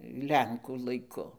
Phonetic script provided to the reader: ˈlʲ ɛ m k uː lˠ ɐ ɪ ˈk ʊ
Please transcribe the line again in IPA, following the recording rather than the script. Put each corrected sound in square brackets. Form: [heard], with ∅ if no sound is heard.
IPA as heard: ˈlʲ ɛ [ŋ] k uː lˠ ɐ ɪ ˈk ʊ